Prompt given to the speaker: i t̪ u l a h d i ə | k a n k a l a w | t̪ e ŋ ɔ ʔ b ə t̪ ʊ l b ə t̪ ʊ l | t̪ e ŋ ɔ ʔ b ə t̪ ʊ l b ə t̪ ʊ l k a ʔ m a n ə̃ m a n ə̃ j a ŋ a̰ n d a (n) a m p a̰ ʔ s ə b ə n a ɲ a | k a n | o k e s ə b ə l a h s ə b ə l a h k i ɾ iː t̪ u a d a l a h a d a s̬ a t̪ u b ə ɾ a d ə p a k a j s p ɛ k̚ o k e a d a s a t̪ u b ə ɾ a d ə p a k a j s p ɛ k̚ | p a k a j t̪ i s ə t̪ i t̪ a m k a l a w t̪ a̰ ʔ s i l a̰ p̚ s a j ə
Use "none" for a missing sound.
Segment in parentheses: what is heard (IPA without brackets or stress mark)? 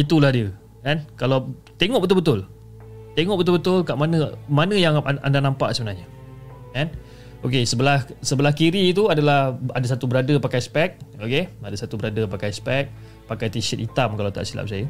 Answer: n